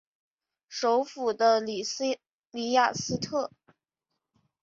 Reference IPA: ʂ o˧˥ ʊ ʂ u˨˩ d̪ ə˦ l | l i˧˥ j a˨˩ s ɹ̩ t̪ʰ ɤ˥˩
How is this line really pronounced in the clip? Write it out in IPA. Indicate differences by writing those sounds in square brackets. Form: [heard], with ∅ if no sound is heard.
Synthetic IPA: ʂ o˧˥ ʊ [f] u˨˩ d̪ ə˦ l | l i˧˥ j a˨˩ s ɹ̩ t̪ʰ ɤ˥˩